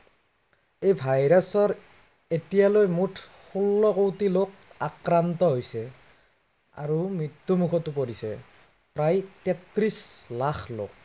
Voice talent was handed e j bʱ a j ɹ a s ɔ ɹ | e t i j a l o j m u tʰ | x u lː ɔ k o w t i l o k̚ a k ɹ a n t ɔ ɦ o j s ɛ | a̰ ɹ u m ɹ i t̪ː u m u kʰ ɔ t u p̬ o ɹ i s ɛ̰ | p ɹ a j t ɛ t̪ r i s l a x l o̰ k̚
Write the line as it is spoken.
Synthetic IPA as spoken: e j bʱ a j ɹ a s ɔ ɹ | e t i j a l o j m u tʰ | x u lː ɔ k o w t i l o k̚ a k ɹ a n t ɔ ɦ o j s ɛ | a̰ ɹ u m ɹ i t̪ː u m u kʰ ɔ t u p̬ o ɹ i s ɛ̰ | p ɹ a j t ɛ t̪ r i s l a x l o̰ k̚